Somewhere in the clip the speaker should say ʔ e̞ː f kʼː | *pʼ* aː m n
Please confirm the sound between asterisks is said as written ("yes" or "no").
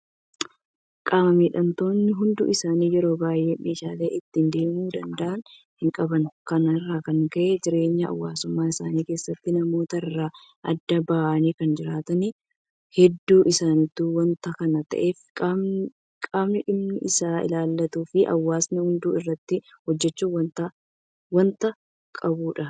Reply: no